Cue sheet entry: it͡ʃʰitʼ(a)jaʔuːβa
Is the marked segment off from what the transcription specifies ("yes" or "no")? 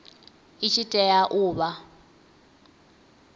yes